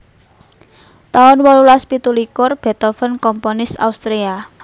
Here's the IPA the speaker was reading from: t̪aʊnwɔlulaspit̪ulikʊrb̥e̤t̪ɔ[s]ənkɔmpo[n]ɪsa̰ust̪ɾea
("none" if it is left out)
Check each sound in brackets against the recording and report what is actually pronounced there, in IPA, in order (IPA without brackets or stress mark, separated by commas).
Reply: f, n